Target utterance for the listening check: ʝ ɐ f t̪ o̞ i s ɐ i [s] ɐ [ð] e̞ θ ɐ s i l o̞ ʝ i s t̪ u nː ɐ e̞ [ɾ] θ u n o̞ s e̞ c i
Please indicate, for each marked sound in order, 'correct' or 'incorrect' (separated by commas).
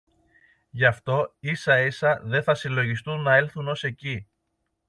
correct, correct, incorrect